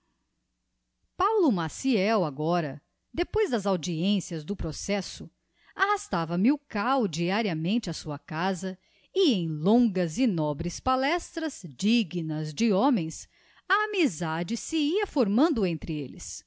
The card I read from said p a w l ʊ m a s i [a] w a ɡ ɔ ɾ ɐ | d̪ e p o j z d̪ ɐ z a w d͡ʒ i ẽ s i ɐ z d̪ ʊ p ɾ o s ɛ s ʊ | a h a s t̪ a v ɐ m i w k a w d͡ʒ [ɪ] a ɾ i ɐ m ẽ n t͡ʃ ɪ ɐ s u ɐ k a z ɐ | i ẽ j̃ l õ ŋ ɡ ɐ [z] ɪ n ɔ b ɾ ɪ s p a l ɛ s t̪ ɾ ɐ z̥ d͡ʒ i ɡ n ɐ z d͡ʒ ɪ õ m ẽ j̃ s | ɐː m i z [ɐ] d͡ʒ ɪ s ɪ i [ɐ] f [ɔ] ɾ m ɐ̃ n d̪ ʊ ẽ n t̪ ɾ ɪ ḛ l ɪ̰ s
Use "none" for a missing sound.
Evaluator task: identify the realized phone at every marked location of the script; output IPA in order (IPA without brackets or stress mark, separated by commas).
ɛ, i, z, a, ɐ, o